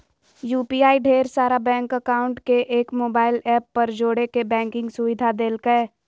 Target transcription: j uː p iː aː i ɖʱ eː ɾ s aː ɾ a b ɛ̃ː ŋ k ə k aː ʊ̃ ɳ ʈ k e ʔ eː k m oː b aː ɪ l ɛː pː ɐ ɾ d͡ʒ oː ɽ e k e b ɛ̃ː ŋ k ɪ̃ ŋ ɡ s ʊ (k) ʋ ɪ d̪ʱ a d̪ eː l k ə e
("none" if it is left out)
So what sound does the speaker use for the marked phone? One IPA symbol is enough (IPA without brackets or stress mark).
none